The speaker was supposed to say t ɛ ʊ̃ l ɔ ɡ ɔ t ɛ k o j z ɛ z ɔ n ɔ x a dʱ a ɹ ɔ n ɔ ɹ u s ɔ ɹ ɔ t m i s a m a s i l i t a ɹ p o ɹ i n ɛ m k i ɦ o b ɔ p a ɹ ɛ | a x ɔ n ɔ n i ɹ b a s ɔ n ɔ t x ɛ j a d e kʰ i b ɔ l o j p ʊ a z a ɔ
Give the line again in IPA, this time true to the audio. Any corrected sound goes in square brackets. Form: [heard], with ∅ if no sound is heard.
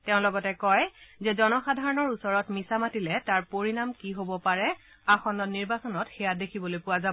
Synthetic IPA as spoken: t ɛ ʊ̃ l ɔ ɡ ɔ t ɛ k [ɔ] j z ɛ z ɔ n ɔ x a dʱ a ɹ ɔ n ɔ ɹ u s ɔ ɹ ɔ t m i s a m a [t] i l [ɛ] t a ɹ p o ɹ i n [a] m k i ɦ o b ɔ p a ɹ ɛ | a x ɔ n ɔ n i ɹ b a s ɔ n ɔ t x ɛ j a d e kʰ i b ɔ l o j p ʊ a z a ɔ